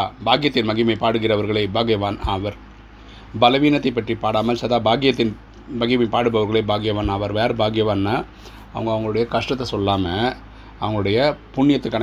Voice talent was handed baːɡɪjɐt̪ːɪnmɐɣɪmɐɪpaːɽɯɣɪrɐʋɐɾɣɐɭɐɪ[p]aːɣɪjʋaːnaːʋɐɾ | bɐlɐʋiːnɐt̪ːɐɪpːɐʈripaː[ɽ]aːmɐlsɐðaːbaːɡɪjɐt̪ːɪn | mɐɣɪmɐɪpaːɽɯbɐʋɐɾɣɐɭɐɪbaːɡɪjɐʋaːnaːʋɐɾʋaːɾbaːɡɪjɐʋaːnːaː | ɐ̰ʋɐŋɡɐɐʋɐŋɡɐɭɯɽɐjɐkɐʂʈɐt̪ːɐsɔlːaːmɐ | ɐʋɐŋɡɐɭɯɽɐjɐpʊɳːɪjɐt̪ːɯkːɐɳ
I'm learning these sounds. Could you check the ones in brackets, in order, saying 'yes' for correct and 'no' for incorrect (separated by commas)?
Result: no, yes